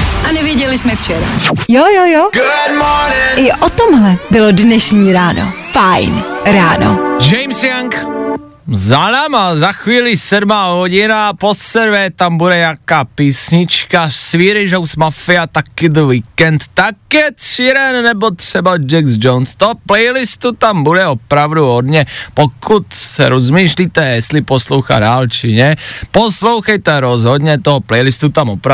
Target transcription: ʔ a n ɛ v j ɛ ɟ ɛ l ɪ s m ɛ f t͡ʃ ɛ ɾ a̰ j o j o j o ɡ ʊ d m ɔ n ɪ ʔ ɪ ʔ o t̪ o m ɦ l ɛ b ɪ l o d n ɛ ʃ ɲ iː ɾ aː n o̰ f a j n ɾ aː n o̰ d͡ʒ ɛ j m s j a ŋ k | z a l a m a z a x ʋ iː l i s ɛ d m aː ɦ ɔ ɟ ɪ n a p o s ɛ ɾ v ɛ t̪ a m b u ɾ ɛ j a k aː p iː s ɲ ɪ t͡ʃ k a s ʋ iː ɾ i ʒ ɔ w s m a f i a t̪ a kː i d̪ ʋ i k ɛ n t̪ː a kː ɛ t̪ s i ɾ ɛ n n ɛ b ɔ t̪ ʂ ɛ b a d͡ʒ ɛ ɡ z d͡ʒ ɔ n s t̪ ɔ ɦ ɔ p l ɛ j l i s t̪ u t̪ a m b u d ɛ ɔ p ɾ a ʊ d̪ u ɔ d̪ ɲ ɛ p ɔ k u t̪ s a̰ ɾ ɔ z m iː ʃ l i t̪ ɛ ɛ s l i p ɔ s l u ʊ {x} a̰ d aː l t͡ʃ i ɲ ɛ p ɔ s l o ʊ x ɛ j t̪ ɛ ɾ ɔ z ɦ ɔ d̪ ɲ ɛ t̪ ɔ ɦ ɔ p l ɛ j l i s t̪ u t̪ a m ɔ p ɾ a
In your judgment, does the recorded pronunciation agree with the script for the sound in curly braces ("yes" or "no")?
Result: yes